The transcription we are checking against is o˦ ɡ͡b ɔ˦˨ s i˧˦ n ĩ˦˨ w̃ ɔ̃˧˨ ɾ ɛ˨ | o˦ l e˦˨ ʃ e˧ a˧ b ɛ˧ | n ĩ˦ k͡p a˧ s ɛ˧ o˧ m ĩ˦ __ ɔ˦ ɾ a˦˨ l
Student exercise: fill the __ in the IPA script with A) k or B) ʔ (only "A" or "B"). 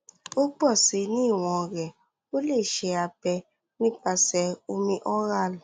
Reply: B